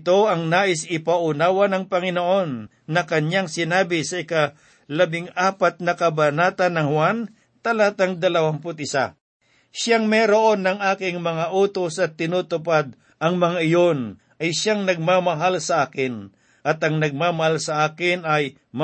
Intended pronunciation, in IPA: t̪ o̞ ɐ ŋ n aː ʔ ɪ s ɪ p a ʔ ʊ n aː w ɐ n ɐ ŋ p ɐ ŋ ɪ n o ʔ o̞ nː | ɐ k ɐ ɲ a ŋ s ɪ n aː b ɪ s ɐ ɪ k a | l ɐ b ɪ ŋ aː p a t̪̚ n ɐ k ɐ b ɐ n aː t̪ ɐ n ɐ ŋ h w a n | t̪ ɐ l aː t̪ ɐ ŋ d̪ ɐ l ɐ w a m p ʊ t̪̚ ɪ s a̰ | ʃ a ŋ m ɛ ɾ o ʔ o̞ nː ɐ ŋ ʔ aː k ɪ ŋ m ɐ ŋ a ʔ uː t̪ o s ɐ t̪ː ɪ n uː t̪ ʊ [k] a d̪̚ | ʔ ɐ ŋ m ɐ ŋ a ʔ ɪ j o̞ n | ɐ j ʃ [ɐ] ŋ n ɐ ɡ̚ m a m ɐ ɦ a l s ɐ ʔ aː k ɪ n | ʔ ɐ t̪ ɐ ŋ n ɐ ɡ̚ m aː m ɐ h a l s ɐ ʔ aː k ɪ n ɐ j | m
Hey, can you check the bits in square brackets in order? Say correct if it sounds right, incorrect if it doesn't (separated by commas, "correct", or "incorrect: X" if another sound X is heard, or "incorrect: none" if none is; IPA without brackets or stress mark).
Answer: incorrect: p, incorrect: a